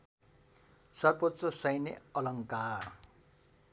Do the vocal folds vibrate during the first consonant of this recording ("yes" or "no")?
no